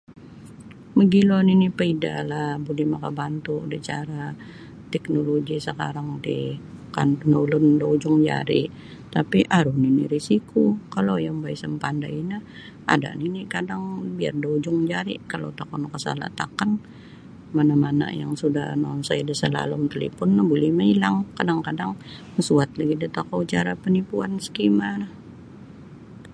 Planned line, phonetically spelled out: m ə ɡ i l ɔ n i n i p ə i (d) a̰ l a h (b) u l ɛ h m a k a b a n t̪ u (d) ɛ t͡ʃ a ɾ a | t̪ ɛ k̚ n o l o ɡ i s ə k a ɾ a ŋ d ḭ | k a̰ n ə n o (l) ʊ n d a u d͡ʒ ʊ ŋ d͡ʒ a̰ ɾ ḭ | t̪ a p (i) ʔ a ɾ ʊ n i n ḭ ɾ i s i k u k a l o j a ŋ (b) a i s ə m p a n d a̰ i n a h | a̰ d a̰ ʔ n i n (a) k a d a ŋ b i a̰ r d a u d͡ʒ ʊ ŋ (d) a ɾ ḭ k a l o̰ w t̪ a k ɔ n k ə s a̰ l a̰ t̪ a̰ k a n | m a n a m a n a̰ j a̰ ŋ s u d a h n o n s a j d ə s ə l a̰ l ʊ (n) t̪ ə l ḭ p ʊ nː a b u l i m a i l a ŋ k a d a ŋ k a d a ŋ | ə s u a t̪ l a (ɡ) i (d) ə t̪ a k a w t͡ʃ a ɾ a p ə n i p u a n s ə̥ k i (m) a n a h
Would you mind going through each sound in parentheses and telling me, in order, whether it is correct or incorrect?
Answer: correct, correct, correct, correct, correct, correct, incorrect: i, incorrect: d͡ʒ, incorrect: m, correct, correct, correct

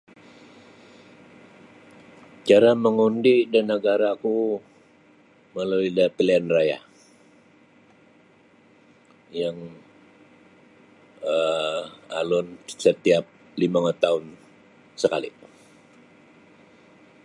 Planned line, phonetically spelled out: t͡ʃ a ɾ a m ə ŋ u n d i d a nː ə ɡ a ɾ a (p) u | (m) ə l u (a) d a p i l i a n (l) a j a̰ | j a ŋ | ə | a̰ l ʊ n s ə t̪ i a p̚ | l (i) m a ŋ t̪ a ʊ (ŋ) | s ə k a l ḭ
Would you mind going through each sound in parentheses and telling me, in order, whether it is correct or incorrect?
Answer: incorrect: k, correct, incorrect: i, incorrect: r, correct, incorrect: n

